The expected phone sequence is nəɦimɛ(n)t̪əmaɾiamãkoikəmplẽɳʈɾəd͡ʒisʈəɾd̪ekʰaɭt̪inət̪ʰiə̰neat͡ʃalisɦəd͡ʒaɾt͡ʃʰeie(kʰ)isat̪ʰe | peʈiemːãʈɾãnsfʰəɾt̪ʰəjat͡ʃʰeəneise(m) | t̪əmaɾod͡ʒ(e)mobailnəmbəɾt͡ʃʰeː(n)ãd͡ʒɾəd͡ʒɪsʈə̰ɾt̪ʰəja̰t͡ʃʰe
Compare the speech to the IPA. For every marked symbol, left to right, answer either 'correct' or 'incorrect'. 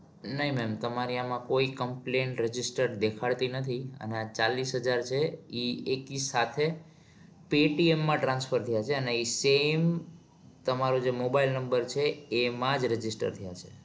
incorrect: m, incorrect: k, correct, correct, incorrect: m

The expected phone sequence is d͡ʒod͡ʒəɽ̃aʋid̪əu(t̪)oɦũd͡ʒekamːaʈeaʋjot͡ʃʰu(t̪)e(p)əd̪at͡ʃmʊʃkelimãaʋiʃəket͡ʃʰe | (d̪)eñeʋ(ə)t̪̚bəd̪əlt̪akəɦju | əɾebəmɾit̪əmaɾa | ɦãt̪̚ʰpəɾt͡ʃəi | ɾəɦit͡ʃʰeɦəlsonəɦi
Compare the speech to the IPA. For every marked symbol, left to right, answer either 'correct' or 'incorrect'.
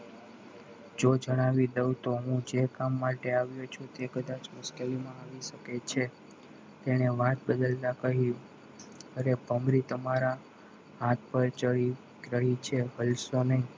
correct, correct, incorrect: k, incorrect: t̪, incorrect: a

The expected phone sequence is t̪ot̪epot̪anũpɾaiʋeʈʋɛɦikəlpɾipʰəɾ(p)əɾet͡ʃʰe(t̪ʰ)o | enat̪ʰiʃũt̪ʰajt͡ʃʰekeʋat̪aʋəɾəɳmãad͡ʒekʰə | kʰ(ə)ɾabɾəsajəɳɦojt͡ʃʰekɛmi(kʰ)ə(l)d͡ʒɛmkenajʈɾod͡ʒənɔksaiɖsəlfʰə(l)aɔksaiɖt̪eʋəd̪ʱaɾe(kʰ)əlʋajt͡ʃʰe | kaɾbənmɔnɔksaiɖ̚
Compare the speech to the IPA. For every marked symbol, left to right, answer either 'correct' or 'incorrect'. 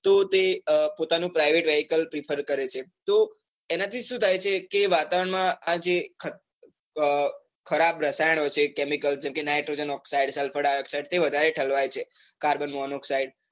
incorrect: k, incorrect: t̪, correct, incorrect: k, correct, incorrect: ɽ, incorrect: ʈʰ

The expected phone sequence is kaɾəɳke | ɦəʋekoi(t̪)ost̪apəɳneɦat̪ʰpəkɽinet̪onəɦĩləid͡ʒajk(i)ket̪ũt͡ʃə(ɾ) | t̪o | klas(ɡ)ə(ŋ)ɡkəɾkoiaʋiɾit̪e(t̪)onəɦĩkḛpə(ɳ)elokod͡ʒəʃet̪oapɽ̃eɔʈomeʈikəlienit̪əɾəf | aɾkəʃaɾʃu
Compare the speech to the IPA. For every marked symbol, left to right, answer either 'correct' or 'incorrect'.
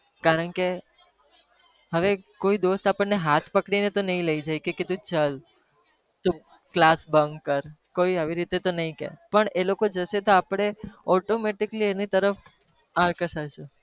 incorrect: d̪, incorrect: e, incorrect: l, incorrect: b, correct, correct, correct

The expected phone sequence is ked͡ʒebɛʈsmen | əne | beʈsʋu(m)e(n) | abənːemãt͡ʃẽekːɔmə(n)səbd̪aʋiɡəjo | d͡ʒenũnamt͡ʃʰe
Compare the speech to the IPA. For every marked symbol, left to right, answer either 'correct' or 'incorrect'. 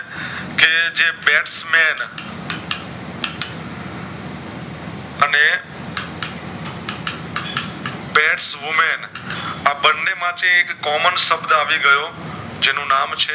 correct, correct, correct

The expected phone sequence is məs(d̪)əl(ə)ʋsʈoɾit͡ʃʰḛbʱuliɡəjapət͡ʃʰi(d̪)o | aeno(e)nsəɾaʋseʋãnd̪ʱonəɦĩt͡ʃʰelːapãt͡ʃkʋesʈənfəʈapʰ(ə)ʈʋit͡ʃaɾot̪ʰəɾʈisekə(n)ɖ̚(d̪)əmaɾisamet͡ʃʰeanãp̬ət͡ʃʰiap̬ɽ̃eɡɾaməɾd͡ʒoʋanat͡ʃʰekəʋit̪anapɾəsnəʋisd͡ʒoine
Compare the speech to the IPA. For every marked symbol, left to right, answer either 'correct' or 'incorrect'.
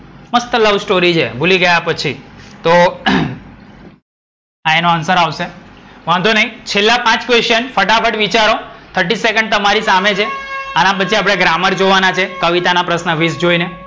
incorrect: t̪, correct, incorrect: t̪, incorrect: a, correct, incorrect: ɳ, incorrect: t̪

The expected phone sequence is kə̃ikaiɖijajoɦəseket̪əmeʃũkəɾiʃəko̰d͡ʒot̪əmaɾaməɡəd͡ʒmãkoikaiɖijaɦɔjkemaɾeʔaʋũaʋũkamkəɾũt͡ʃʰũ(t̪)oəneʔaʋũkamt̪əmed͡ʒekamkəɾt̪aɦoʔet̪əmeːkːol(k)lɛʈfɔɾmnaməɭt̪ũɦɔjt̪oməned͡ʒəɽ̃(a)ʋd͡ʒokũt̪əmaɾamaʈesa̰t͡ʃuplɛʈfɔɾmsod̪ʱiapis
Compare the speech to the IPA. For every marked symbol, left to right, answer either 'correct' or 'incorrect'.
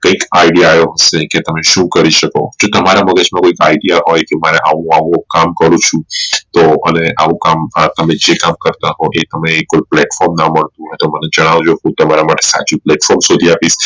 correct, incorrect: p, correct

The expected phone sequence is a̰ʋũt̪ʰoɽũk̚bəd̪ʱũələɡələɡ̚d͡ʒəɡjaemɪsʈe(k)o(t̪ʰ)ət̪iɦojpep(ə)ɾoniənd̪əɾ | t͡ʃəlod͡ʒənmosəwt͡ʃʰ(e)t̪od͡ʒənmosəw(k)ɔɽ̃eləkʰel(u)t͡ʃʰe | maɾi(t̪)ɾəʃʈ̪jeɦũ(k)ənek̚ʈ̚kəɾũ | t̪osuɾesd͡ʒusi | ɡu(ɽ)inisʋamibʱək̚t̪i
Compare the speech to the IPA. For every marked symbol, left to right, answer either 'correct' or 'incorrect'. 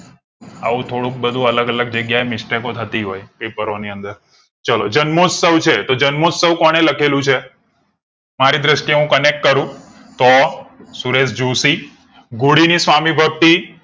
correct, correct, correct, correct, correct, incorrect: ũ, incorrect: d̪, correct, correct

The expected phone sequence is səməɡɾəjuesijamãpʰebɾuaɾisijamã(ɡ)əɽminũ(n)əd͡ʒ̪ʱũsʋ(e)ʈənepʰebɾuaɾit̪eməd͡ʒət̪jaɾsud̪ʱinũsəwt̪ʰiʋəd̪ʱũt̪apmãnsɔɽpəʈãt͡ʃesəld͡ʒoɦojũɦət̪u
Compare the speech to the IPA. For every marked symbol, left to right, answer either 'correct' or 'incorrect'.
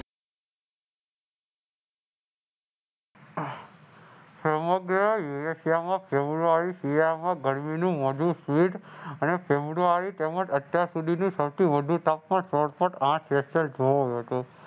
correct, incorrect: m, incorrect: i

